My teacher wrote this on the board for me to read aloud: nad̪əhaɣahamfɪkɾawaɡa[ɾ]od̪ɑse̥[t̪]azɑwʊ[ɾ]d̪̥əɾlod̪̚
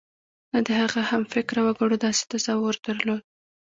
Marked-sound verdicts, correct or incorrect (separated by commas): incorrect, correct, correct